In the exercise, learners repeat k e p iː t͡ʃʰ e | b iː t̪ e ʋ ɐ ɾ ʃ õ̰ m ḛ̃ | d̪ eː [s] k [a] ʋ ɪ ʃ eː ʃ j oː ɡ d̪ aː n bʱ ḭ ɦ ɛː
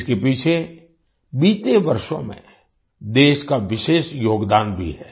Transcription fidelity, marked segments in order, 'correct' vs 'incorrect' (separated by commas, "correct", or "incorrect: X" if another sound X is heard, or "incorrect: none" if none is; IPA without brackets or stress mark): incorrect: ʃ, correct